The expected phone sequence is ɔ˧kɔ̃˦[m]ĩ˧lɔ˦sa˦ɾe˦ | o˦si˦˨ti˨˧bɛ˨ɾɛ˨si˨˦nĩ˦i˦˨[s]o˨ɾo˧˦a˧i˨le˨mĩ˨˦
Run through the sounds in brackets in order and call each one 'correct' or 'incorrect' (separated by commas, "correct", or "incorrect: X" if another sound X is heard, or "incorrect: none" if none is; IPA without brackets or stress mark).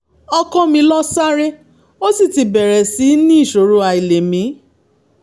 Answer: correct, incorrect: ʃ